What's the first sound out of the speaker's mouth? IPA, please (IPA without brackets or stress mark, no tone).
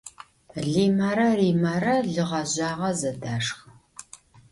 ɮ